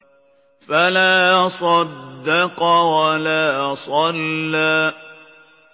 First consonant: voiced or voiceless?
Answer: voiceless